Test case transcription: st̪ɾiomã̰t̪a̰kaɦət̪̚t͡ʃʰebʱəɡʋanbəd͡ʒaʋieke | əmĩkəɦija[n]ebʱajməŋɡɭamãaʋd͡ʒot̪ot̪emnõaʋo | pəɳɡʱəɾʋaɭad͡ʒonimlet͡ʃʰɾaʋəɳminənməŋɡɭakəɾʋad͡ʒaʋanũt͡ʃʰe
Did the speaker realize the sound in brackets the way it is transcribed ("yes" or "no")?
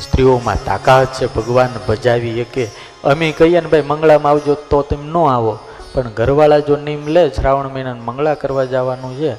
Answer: yes